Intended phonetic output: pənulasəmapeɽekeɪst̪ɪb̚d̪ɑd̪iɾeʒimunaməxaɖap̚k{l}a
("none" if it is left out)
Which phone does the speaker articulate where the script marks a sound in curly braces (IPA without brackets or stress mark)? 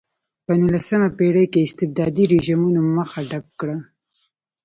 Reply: ɽ